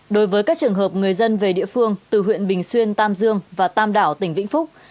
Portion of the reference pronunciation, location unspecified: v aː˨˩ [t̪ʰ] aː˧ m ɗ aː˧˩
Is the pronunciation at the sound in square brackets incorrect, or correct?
incorrect